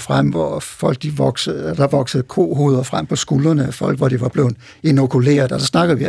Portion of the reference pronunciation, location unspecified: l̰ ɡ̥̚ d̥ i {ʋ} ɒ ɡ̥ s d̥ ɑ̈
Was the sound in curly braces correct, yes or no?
yes